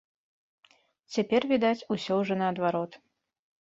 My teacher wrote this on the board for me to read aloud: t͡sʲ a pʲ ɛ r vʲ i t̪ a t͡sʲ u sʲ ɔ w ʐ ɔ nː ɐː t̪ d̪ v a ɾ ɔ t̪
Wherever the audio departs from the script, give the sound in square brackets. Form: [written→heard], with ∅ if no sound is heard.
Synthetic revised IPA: t͡sʲ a pʲ ɛ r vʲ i [t̪→d̪] a t͡sʲ u sʲ ɔ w ʐ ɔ [nː→n] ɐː [t̪→∅] d̪ v a ɾ ɔ t̪